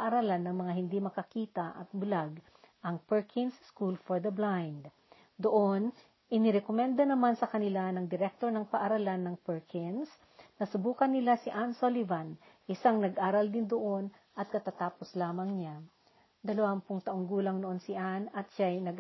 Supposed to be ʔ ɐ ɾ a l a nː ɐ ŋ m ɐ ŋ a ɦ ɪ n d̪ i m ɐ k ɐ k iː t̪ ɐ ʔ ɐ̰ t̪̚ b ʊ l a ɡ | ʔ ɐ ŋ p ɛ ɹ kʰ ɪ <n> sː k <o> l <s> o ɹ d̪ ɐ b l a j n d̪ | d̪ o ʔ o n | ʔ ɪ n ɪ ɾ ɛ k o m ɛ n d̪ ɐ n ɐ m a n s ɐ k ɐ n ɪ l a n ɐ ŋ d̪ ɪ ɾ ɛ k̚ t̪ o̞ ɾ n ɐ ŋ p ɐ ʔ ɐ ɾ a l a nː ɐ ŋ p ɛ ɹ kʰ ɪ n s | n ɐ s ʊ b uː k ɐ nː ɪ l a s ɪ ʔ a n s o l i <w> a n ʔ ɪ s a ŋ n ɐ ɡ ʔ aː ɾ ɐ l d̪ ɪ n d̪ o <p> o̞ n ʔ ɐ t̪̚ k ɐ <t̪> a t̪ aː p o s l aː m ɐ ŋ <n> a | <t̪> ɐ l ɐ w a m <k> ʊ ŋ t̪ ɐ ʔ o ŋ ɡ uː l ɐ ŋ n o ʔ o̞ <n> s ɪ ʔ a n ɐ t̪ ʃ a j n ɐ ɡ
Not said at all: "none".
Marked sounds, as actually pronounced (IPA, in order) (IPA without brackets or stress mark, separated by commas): n, u, f, v, ʔ, t̪, ɲ, d̪, p, n